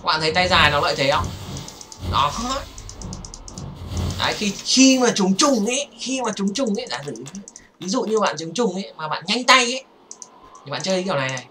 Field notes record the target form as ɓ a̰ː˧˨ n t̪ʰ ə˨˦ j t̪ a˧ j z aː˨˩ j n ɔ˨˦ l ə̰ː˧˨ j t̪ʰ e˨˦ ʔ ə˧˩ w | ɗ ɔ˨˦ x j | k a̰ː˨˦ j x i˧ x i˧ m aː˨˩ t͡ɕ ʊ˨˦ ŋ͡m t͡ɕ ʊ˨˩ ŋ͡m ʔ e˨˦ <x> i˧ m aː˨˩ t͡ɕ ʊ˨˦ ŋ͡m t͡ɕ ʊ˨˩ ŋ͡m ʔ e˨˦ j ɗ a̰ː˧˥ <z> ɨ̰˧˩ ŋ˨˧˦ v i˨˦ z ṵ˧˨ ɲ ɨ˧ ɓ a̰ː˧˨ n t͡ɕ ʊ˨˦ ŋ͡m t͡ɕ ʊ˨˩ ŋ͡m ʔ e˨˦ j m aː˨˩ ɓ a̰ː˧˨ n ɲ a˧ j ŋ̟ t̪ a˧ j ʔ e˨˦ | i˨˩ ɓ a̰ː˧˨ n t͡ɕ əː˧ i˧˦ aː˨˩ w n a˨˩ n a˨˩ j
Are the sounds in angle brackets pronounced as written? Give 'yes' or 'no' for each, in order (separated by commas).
yes, yes